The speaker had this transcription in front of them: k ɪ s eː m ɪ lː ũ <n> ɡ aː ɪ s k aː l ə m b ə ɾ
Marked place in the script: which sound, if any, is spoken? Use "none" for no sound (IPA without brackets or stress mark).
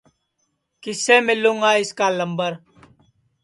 ŋ